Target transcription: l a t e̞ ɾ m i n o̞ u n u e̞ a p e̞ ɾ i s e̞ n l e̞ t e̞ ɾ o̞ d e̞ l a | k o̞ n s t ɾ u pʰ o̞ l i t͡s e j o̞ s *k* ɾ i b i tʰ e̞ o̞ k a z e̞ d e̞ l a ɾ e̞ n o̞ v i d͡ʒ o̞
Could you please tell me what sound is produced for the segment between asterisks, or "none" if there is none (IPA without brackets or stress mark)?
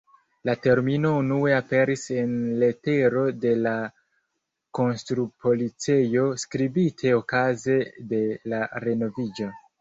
k